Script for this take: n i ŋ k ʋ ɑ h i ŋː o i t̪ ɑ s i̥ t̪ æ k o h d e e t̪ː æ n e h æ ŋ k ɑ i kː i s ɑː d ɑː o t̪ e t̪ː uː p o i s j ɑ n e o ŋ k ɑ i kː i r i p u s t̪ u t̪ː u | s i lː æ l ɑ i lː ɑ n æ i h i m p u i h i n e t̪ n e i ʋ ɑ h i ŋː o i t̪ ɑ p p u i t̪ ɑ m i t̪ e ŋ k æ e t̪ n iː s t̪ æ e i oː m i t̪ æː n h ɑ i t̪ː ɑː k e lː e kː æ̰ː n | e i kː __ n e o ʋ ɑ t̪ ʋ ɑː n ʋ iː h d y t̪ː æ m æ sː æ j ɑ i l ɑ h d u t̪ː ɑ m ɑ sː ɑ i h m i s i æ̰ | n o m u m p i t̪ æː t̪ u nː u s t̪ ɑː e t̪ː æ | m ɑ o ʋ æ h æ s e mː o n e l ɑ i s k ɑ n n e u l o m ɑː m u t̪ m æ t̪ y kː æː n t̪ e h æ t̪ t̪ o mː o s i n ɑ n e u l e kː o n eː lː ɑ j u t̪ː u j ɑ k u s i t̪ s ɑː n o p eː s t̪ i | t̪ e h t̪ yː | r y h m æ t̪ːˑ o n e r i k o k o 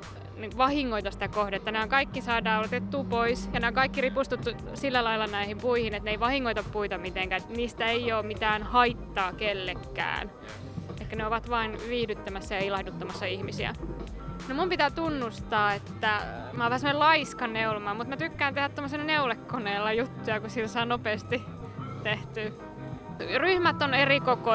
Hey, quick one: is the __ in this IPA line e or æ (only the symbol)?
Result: æ